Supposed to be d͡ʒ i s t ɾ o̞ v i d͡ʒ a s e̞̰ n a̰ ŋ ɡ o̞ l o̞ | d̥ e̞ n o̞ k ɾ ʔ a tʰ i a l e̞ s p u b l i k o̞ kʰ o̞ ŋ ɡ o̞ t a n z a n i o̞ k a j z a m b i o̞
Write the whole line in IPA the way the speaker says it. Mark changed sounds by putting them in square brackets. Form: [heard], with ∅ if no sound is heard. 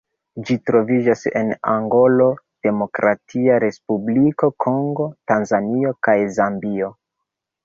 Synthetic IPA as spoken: d͡ʒ i [∅] t ɾ o̞ v i d͡ʒ a s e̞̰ n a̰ ŋ ɡ o̞ l o̞ | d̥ e̞ [m] o̞ k ɾ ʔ a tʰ i a [ɾ] e̞ s p u b l i k o̞ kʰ o̞ ŋ ɡ o̞ t a n z a n i o̞ k a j z a m b i o̞